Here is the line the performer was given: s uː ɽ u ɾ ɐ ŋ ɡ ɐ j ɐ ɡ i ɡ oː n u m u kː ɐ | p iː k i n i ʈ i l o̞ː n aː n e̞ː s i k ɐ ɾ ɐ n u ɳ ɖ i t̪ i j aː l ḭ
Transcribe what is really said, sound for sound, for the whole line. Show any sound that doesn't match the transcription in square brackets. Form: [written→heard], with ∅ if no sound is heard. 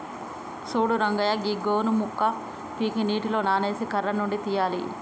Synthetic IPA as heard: s uː ɽ u ɾ ɐ ŋ ɡ ɐ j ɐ ɡ i ɡ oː n u m u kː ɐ | p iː k i n [i→iː] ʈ i l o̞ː n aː n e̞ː s i k ɐ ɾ ɐ n u ɳ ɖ i t̪ i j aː l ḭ